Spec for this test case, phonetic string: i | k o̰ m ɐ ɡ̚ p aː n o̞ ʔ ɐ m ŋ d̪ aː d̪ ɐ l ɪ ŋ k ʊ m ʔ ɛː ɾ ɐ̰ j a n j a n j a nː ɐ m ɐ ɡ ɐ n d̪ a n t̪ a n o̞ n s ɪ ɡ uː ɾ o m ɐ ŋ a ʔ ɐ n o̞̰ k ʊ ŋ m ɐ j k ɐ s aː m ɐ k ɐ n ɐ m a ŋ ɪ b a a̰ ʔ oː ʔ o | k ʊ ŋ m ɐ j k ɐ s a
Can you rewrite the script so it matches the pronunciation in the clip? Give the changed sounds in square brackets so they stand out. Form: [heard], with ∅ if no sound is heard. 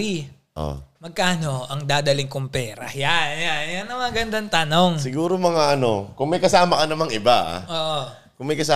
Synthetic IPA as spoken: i | [ʔ] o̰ m ɐ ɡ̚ [k] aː n o̞ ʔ ɐ [∅] ŋ d̪ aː d̪ ɐ l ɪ ŋ k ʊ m [p] ɛː ɾ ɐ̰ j a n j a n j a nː ɐ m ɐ ɡ ɐ n d̪ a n t̪ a n o̞ [ŋ] s ɪ ɡ uː ɾ o m ɐ ŋ a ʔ ɐ n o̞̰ k ʊ ŋ m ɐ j k ɐ s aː m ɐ k ɐ n ɐ m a ŋ ɪ b a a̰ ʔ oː ʔ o | k ʊ ŋ m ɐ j k ɐ s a